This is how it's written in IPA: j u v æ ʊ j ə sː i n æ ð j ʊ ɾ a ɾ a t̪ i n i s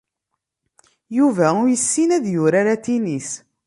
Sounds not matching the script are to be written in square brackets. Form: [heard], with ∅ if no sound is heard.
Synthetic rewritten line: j u v æ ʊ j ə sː i n æ ð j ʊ ɾ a ɾ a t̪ i n i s